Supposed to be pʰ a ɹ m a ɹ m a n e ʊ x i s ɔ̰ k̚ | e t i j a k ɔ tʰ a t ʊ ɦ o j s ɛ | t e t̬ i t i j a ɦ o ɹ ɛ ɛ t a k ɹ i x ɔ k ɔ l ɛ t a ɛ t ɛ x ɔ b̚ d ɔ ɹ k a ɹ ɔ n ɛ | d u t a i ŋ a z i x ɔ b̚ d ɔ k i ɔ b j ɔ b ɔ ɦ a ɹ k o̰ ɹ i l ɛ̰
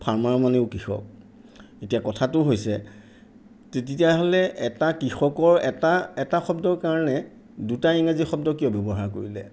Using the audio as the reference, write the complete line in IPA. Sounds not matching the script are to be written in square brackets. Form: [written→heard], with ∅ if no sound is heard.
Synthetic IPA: pʰ a ɹ m a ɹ m a n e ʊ [x→k] i [s→x] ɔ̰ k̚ | e t i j a k ɔ tʰ a t ʊ ɦ o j s ɛ | t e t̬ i t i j a ɦ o [ɹ→l] ɛ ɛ t a k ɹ i x ɔ k ɔ [l→ɹ] ɛ t a ɛ t [ɛ→a] x ɔ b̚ d ɔ ɹ k a ɹ ɔ n ɛ | d u t a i ŋ a z i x ɔ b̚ d ɔ k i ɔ b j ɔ b ɔ ɦ a ɹ k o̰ ɹ i l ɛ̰